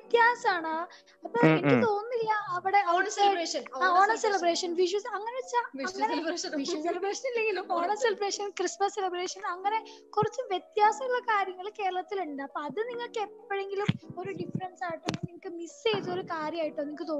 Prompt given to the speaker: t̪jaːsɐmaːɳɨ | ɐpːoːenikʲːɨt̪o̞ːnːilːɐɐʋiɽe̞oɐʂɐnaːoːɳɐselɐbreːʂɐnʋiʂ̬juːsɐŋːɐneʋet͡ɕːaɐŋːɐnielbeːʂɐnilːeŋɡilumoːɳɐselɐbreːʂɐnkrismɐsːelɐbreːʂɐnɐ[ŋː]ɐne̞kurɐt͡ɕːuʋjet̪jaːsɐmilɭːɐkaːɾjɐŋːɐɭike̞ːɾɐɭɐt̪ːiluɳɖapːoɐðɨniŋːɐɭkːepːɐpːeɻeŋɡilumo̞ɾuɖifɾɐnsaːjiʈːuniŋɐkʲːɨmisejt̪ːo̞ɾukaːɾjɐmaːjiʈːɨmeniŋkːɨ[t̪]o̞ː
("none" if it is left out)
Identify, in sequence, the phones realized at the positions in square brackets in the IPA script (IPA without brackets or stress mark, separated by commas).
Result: ŋː, t̪